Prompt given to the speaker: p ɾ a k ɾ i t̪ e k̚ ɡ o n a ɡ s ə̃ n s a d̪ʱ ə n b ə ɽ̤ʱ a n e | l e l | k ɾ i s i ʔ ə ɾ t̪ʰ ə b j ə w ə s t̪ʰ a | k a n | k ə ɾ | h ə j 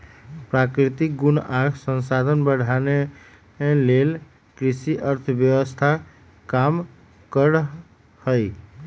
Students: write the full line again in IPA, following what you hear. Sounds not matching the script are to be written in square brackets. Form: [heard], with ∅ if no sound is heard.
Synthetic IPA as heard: p ɾ a k ɾ i t̪ [i] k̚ ɡ [u] n a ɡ s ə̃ n s a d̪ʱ ə n b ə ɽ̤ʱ a n e | l e l | k ɾ i s i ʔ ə ɾ t̪ʰ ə b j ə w ə s t̪ʰ a | k a [m] | k ə ɾ | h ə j